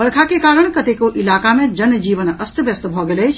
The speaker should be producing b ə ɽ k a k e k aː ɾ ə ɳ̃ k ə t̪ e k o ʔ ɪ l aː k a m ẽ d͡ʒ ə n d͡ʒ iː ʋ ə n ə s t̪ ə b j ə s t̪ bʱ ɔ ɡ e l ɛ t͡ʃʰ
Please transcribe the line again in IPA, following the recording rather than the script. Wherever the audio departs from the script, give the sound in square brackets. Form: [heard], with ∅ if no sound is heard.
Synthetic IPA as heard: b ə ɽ [kʰ] a k e k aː ɾ ə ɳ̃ k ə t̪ e k o ʔ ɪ l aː k a m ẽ d͡ʒ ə n d͡ʒ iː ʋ ə n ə s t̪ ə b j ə s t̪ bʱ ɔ ɡ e l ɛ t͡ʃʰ